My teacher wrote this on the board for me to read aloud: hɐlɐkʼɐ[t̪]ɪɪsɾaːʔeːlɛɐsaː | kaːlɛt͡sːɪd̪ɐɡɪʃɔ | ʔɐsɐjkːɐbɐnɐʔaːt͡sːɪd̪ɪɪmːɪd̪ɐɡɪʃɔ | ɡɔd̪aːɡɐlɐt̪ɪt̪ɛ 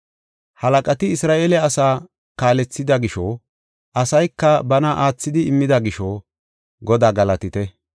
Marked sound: correct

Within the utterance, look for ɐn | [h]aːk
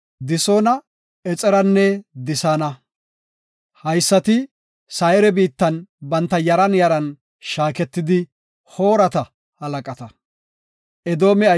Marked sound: incorrect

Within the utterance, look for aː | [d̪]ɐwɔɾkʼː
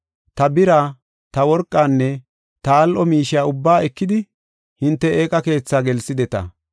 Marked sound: incorrect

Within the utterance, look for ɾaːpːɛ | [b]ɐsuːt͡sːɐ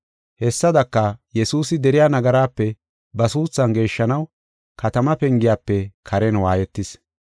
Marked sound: correct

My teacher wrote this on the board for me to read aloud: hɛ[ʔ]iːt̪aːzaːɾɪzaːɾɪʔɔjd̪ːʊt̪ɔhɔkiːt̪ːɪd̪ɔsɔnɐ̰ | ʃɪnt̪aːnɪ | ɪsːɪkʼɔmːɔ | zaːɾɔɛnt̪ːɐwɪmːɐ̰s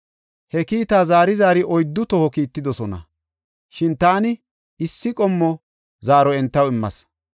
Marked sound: incorrect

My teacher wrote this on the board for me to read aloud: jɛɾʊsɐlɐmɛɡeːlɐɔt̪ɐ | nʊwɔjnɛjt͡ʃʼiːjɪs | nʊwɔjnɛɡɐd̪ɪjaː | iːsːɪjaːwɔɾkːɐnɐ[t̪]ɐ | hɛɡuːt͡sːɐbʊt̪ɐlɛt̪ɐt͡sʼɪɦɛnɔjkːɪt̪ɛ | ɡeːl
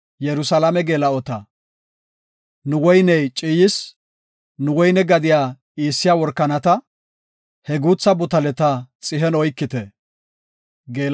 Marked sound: correct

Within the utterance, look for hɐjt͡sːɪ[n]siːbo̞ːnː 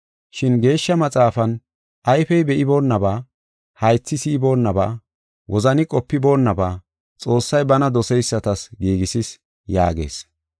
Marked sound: incorrect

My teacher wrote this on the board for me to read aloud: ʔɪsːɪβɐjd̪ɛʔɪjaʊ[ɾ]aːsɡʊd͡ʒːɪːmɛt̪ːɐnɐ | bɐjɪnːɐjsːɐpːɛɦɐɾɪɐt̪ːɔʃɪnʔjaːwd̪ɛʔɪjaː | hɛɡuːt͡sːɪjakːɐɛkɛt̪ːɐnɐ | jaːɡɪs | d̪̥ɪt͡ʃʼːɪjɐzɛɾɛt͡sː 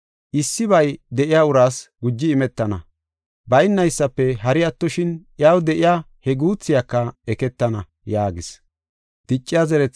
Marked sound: correct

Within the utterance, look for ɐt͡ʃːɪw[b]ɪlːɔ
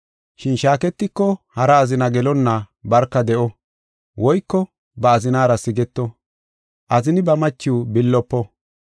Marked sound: correct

